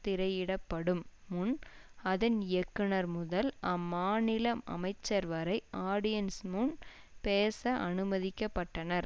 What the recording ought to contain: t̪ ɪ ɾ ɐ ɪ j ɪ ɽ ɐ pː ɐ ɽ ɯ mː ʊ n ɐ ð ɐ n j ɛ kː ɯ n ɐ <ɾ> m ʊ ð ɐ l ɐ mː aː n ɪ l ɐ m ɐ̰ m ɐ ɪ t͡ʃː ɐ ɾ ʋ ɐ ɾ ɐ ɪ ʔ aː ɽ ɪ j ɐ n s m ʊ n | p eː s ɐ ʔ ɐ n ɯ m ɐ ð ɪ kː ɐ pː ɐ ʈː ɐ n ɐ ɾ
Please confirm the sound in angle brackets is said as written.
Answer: yes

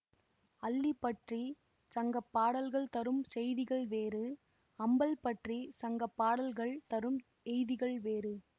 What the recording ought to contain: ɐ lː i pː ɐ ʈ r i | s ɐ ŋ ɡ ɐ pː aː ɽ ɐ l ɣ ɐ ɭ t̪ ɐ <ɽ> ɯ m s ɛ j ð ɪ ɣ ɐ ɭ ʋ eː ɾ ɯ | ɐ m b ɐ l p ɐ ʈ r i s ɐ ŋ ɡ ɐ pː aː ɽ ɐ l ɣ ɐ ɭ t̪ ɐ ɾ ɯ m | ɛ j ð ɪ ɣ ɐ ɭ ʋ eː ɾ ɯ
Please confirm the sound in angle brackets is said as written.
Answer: no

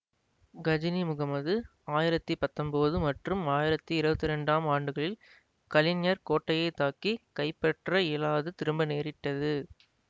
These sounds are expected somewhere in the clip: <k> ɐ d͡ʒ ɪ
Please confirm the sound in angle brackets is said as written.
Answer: no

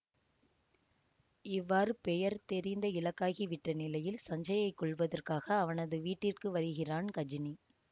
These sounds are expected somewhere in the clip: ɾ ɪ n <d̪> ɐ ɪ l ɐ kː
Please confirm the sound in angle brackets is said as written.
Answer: yes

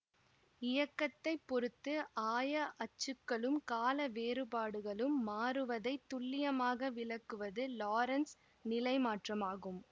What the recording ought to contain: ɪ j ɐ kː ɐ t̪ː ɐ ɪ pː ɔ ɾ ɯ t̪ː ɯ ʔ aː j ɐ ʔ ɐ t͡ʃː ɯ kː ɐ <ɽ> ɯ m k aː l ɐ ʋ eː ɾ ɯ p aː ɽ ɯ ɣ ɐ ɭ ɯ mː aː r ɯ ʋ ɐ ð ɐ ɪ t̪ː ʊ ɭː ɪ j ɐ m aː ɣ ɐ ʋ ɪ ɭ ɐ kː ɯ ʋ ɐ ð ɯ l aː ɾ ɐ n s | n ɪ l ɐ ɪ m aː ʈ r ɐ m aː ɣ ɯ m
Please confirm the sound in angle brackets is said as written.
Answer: no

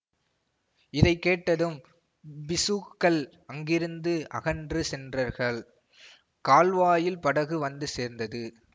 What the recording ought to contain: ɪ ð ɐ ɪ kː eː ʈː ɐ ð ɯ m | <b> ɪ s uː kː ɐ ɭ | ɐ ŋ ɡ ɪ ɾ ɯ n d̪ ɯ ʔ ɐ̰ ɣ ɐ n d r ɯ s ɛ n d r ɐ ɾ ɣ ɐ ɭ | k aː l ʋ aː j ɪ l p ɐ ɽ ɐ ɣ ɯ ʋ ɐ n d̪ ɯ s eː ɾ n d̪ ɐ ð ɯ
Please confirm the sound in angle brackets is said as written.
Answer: yes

